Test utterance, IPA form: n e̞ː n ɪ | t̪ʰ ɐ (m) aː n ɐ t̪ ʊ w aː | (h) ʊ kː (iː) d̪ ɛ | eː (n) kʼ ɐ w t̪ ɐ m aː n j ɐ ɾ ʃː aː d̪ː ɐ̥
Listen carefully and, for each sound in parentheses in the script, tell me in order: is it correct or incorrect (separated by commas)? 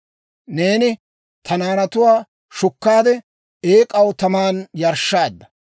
incorrect, incorrect, incorrect, incorrect